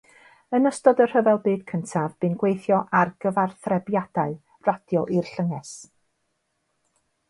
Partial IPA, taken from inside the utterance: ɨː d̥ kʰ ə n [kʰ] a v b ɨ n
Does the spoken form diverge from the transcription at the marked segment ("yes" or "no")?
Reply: yes